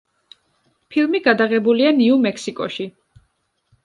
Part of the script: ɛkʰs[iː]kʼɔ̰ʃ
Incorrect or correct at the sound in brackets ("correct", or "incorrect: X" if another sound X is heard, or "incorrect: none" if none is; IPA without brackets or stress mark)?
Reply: incorrect: i